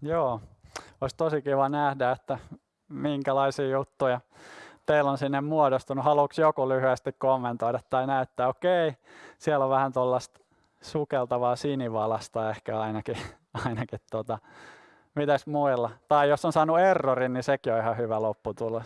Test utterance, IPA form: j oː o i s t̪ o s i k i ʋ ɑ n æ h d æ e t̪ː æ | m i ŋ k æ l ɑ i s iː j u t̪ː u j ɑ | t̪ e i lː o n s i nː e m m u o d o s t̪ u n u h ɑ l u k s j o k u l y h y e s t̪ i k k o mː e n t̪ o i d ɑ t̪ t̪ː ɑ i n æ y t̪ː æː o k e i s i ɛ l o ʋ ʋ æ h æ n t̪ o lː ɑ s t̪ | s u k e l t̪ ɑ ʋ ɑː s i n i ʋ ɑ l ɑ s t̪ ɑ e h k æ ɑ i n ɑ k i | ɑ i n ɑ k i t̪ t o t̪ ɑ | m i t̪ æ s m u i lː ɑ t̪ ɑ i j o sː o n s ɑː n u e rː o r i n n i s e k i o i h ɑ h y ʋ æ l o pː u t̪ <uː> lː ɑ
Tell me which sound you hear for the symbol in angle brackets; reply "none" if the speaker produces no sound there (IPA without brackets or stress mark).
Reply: u